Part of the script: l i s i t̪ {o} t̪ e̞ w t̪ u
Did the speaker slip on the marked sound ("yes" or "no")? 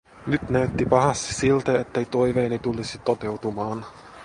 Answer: no